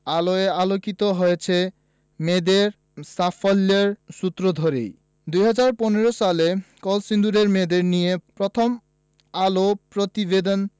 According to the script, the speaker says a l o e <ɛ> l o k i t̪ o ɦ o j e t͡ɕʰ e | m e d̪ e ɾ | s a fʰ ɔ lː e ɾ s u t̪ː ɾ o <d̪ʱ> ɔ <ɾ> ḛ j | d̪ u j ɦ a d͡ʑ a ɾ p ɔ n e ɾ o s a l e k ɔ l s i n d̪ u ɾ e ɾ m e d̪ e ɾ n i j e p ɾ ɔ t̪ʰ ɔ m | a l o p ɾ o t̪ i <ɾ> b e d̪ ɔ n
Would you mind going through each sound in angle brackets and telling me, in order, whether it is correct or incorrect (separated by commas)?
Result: incorrect, correct, correct, incorrect